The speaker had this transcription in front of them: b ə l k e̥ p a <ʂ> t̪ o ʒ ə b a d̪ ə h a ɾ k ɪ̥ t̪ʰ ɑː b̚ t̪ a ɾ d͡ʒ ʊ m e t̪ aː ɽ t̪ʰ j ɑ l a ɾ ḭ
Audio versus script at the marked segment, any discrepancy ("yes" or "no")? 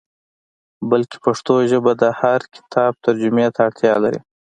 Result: no